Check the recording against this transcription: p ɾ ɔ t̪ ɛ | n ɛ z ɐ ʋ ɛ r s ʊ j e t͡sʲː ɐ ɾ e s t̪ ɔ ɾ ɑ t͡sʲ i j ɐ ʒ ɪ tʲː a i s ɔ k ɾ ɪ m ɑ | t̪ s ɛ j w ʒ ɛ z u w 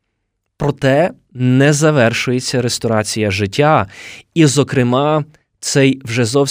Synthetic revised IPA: p ɾ ɔ t̪ ɛ | n ɛ z ɐ ʋ ɛ r ʃ ʊ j e t͡sʲː ɐ ɾ e s t̪ ɔ ɾ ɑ t͡sʲ i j ɐ ʒ ɪ tʲː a i z ɔ k ɾ ɪ m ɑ | t̪ s ɛ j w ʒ ɛ z ɔ w